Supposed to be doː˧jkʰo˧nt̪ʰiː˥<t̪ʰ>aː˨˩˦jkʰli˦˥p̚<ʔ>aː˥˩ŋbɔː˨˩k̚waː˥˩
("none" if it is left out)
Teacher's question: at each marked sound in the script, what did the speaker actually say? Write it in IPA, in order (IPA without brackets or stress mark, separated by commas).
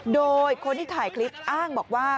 t̪ʰ, ʔ